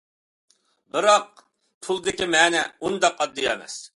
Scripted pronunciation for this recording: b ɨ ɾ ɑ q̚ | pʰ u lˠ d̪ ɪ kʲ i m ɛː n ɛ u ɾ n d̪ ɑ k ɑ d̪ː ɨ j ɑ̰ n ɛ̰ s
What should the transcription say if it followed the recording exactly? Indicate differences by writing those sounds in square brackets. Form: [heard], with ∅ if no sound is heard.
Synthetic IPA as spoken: b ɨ ɾ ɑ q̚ | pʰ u lˠ d̪ ɪ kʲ i m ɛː n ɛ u [∅] n d̪ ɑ [q] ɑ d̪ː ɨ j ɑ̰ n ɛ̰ s